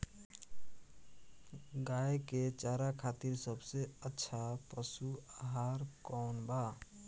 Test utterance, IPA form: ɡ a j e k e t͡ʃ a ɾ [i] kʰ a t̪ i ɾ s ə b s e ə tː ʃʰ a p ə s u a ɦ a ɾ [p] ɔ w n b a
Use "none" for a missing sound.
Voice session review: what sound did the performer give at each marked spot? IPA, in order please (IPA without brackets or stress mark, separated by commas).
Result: a, k